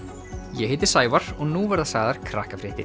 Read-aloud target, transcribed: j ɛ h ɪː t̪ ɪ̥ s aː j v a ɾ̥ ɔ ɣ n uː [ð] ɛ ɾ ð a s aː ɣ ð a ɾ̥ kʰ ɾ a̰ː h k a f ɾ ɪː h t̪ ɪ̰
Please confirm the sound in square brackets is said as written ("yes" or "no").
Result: no